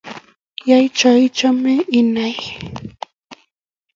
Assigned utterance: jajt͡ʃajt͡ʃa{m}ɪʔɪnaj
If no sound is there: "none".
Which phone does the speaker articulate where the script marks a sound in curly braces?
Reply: m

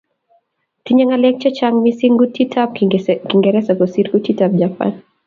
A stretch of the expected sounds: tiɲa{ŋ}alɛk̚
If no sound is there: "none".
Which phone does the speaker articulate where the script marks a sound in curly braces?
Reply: ŋ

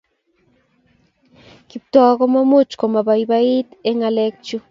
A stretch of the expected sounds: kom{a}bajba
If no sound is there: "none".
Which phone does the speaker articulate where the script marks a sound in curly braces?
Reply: a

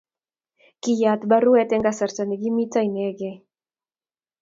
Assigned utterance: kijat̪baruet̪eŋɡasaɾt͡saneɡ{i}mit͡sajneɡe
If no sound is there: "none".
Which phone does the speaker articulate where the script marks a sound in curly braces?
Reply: i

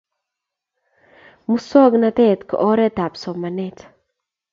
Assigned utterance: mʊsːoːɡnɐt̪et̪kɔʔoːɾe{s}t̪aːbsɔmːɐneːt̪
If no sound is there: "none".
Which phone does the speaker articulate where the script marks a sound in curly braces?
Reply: none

